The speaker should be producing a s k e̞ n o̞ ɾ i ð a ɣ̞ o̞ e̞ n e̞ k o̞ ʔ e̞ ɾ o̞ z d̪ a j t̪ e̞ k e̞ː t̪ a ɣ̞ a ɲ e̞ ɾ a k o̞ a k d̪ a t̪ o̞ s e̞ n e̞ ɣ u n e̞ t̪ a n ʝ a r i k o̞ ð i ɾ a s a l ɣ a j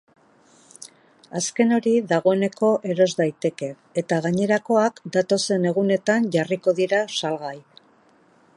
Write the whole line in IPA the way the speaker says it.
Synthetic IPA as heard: a s k e̞ n o̞ ɾ i ð a ɣ̞ o̞ e̞ n e̞ k o̞ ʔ e̞ ɾ o̞ z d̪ a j t̪ e̞ k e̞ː t̪ a ɣ̞ a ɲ e̞ ɾ a k o̞ a k d̪ a t̪ o̞ s e̞ n e̞ ɣ u n e̞ t̪ a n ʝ a r i k o̞ ð i ɾ a s a l ɣ a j